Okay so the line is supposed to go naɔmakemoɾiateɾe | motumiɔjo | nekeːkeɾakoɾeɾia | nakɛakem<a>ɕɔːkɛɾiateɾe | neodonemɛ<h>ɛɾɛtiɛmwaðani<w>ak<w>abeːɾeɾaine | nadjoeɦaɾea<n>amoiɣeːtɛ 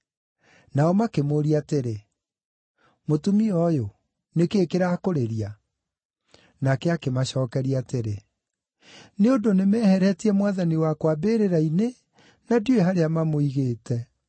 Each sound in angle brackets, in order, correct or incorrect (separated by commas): correct, correct, correct, correct, incorrect